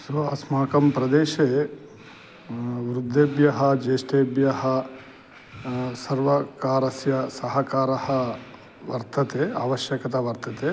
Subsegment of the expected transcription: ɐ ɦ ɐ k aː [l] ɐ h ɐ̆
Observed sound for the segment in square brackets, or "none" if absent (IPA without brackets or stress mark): ɾ